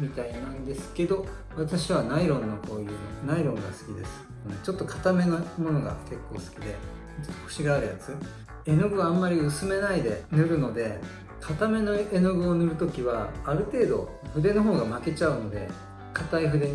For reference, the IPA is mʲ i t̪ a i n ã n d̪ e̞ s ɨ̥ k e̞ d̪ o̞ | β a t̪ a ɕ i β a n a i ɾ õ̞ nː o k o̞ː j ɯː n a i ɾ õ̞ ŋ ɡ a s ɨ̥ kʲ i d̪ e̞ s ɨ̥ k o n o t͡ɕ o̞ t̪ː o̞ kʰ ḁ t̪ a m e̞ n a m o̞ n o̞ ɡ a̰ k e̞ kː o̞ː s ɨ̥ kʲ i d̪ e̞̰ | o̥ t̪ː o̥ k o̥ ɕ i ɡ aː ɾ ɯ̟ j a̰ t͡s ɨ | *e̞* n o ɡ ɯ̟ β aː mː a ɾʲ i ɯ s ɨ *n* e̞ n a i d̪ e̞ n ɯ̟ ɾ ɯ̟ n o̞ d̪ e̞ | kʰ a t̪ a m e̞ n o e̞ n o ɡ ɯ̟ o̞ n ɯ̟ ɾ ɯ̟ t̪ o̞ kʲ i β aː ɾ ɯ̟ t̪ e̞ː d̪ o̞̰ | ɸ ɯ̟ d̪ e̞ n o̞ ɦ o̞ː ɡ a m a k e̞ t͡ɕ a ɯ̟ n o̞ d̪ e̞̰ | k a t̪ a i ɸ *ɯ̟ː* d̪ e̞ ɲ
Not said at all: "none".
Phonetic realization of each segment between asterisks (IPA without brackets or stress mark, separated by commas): e̞, m, ɯ̟